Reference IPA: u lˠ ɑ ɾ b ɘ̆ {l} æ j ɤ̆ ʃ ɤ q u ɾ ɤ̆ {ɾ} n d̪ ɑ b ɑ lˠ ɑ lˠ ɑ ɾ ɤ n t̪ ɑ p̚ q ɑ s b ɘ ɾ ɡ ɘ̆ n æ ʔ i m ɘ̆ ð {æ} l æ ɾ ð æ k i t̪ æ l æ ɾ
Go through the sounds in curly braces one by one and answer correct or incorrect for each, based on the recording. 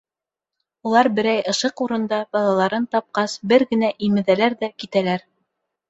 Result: incorrect: ɾ, incorrect: none, correct

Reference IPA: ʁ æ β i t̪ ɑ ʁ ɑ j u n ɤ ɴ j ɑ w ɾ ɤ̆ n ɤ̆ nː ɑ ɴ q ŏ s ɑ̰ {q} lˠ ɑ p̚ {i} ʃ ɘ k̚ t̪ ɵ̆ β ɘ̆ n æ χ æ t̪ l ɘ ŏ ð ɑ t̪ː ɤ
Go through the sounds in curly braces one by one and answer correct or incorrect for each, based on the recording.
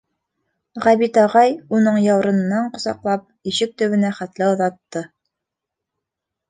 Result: correct, correct

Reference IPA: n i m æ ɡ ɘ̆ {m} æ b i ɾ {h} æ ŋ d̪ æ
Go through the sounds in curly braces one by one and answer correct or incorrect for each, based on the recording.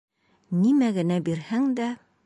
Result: incorrect: n, correct

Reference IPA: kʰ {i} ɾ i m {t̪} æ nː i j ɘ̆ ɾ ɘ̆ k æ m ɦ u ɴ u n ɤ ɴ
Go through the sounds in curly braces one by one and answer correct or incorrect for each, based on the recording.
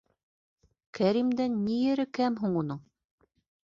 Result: incorrect: æ, incorrect: d̪

